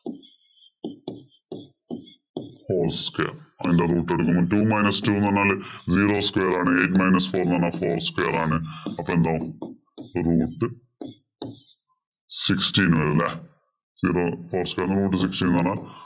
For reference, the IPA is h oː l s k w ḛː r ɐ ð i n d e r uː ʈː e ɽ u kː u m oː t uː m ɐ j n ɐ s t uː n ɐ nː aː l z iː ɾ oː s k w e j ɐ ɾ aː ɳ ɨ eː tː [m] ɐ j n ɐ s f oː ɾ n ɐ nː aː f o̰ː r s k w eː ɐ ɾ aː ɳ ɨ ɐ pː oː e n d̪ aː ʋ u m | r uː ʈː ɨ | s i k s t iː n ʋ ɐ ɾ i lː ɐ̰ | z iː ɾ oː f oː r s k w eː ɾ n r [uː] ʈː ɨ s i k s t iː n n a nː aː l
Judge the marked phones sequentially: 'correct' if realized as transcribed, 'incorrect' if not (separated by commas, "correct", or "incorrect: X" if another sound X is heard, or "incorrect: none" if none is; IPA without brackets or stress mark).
correct, correct